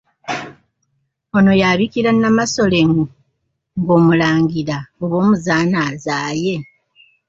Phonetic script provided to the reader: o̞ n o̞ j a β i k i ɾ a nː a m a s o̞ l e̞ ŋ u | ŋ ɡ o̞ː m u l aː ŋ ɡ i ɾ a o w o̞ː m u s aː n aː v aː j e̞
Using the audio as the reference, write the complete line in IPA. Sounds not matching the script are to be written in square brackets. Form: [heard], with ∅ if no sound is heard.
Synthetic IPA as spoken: o̞ n o̞ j a β i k i ɾ a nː a m a s o̞ l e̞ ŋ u | ŋ ɡ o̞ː m u l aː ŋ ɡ i ɾ a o [β] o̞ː m u [z] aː n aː [z] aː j e̞